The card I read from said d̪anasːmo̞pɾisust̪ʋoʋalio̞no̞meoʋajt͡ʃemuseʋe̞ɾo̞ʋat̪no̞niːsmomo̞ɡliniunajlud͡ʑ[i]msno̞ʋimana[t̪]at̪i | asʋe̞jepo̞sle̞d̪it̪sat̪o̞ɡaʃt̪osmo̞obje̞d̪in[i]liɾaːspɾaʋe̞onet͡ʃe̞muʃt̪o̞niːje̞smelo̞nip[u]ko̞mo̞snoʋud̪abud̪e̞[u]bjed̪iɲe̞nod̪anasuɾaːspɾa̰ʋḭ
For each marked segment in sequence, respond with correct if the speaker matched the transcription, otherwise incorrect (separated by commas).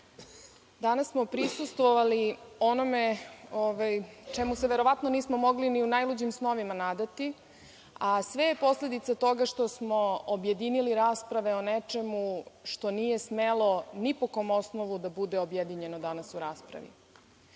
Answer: correct, incorrect, correct, incorrect, incorrect